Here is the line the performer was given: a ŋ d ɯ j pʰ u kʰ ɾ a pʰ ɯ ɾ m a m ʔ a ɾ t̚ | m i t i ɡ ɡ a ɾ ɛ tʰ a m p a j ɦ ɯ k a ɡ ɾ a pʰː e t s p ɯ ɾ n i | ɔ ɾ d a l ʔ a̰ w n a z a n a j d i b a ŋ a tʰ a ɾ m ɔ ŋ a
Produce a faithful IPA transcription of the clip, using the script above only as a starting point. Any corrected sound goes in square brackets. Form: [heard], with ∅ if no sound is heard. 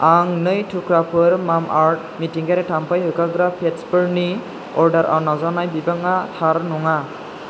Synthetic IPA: a ŋ [n] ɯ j [tʰ] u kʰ ɾ a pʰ ɯ ɾ m a m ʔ a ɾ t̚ | m i t i [ŋ] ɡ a ɾ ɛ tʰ a m p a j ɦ ɯ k a ɡ ɾ a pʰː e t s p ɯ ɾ n i | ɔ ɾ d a [ɾ] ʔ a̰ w n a z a n a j [b] i b a ŋ a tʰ a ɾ [n] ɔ ŋ a